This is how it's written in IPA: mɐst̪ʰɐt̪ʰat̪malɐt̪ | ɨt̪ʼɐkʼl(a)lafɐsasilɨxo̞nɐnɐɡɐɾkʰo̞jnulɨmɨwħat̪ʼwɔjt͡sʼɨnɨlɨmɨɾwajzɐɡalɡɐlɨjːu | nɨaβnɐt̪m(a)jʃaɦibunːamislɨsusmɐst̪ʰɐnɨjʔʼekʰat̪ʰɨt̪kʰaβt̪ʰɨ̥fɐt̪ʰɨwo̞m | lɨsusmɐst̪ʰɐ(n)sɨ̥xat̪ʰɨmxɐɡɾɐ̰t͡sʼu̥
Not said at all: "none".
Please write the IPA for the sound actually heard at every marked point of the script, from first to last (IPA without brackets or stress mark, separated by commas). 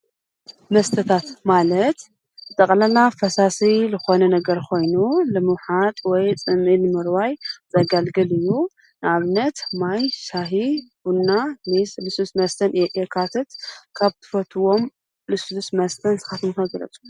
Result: ɐ, a, n